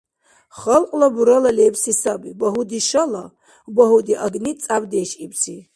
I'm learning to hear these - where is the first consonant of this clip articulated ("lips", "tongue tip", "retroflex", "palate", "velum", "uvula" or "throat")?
uvula